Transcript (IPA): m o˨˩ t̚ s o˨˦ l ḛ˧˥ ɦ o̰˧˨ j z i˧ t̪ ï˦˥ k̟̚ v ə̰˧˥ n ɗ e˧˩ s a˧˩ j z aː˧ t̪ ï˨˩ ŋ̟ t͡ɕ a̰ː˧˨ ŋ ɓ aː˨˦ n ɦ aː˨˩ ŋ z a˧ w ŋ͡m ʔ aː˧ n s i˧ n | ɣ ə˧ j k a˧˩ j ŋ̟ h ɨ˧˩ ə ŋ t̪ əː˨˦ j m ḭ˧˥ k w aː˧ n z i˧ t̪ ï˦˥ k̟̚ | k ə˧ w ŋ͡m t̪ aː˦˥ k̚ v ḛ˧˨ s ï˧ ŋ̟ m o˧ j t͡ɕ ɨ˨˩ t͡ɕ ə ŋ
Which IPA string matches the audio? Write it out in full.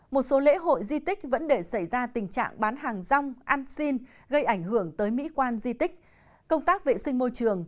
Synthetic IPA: m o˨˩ t̚ s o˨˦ l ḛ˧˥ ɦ o̰˧˨ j z i˧ t̪ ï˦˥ k̟̚ v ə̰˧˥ n ɗ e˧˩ s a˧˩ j z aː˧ t̪ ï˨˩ ŋ̟ t͡ɕ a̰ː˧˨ ŋ ɓ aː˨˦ n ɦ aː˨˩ ŋ z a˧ w ŋ͡m ʔ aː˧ n s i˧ n | ɣ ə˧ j ʔ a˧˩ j ŋ̟ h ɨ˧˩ ə ŋ t̪ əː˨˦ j m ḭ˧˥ k w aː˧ n z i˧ t̪ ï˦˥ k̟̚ | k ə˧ w ŋ͡m t̪ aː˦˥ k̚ v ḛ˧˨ s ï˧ ŋ̟ m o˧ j t͡ɕ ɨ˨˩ ə ŋ

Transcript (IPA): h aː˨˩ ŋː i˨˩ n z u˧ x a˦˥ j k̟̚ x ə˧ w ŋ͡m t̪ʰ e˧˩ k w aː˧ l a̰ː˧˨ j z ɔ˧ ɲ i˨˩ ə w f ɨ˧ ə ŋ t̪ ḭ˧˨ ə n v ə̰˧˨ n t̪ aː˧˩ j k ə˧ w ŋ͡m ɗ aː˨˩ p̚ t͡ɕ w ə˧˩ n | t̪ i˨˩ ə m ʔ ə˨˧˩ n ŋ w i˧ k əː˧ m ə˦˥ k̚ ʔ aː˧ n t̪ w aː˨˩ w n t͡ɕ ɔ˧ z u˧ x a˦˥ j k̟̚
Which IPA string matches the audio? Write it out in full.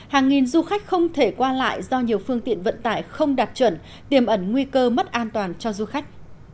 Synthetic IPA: h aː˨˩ ŋː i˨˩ n z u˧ x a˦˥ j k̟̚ x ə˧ w ŋ͡m t̪ʰ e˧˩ k w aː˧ l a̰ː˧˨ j z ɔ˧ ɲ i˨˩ ə w f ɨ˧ ə ŋ t̪ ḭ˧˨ ə n v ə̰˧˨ n t̪ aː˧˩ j x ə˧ w ŋ͡m ɗ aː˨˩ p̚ t͡ɕ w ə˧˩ n | t̪ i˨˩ ə m ʔ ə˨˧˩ n ŋ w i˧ k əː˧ m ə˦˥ t̚ ʔ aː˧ n t̪ w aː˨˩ n t͡ɕ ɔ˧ z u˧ x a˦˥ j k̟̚

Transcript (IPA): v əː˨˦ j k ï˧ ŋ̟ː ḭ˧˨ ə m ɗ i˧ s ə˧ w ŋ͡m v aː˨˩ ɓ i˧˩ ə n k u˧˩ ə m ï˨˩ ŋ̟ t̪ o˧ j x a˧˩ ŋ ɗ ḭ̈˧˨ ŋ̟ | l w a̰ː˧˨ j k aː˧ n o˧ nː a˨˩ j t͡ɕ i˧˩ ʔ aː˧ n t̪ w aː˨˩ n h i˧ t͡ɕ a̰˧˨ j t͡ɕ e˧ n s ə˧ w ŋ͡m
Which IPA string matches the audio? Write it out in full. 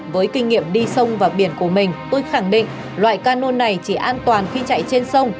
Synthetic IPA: v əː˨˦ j k ï˧ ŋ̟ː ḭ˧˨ ə m ɗ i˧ s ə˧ w ŋ͡m v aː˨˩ ɓ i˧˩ ə n k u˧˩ ə m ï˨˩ ŋ̟ t̪ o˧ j x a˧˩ ŋ ɗ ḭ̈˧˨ ŋ̟ | l w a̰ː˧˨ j k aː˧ n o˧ nː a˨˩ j t͡ɕ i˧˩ ʔ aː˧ n t̪ w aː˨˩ n x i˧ t͡ɕ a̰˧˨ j t͡ɕ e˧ n s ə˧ w ŋ͡m

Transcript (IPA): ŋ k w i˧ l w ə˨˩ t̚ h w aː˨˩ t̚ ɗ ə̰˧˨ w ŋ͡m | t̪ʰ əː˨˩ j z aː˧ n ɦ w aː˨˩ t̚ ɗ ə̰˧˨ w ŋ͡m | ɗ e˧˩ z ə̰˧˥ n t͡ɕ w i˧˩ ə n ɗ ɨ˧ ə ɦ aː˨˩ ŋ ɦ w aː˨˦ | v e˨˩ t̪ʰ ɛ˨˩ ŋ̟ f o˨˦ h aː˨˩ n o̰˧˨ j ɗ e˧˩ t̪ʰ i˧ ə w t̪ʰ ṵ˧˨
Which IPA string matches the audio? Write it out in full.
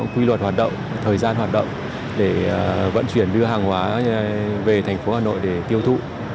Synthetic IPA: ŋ k w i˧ l w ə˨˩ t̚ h w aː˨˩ t̚ ɗ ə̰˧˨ w ŋ͡m | t̪ʰ əː˨˩ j z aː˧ n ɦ w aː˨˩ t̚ ɗ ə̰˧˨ w ŋ͡m | ɗ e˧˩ v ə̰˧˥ n t͡ɕ w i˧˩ ə n ɗ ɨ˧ ə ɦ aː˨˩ ŋ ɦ w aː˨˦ | v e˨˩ t̪ʰ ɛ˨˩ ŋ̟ f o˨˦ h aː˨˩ n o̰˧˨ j ɗ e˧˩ t̪ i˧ ə w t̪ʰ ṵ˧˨

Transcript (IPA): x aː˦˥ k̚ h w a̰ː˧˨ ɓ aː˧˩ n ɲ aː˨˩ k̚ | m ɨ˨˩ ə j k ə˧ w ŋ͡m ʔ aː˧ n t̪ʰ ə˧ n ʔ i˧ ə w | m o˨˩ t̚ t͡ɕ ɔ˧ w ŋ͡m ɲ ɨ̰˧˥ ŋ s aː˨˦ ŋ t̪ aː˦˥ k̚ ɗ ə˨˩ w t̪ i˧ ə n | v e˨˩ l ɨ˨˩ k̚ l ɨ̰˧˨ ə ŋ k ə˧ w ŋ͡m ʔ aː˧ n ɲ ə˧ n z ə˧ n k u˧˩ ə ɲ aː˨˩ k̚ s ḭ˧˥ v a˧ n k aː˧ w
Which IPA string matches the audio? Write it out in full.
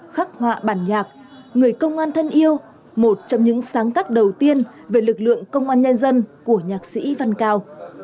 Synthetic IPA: x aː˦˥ k̚ h w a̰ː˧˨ ɓ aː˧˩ n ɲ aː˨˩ k̚ | ŋ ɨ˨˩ ə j k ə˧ w ŋ͡m ʔ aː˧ n t̪ʰ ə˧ n ʔ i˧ ə w | m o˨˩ t̚ t͡ɕ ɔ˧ w ŋ͡m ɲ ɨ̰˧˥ ŋ s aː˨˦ ŋ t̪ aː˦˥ k̚ ɗ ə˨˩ w t̪ i˧ ə n | v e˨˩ l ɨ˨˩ k̚ l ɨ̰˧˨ ə ŋ k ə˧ w ŋ͡m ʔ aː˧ n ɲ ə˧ n z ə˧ n k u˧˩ ə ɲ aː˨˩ k̚ s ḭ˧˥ v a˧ n k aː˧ w

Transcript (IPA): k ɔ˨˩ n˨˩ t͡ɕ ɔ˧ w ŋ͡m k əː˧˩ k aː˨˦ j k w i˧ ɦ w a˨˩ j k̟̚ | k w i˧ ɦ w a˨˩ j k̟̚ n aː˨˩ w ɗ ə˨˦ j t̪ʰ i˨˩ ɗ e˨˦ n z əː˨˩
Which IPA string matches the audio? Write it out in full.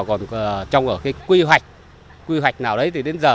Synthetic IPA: k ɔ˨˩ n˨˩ t͡ɕ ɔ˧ w ŋ͡m ʔ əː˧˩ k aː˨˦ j k w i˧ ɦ w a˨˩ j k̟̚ | k w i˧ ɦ w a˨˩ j k̟̚ n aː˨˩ w ɗ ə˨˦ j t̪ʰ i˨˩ ɗ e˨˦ n z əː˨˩

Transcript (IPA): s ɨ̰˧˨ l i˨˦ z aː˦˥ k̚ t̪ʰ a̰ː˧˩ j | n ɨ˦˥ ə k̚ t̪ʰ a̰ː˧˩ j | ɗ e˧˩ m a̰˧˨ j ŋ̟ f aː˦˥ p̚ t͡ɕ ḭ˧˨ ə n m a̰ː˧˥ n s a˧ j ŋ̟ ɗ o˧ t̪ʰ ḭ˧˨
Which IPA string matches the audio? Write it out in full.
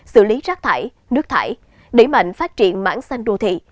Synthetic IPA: s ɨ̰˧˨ l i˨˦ z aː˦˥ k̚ t̪ʰ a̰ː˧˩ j | n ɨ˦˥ ə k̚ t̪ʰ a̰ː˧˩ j | ɗ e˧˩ m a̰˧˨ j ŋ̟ f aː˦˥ t̚ t͡ɕ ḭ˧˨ ə n m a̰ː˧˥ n s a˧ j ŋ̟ ɗ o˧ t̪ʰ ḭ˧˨

